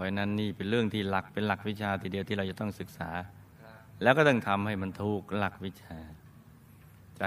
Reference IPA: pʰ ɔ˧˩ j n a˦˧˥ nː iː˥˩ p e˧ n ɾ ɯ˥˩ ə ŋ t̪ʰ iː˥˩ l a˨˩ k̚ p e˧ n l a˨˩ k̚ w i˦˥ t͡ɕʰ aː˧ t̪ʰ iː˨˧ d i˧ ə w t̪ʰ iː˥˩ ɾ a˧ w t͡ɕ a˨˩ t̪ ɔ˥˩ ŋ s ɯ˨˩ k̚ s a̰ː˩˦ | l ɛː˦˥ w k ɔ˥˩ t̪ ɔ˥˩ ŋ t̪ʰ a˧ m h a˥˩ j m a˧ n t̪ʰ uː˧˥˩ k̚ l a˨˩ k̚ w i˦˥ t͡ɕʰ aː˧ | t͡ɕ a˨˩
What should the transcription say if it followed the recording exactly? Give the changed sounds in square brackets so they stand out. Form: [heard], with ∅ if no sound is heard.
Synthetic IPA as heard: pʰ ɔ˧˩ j n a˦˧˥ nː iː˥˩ p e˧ n ɾ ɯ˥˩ ə ŋ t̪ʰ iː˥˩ l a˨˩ k̚ p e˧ n l a˨˩ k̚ w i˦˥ t͡ɕʰ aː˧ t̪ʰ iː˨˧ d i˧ ə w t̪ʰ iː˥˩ ɾ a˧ w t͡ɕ a˨˩ t̪ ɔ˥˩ ŋ s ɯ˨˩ k̚ s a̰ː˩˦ | l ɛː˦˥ w k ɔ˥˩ t̪ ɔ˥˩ ŋ t̪ʰ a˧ m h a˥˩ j m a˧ n t̪ʰ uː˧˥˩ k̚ l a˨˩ k̚ w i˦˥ t͡ɕʰ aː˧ | t͡ɕ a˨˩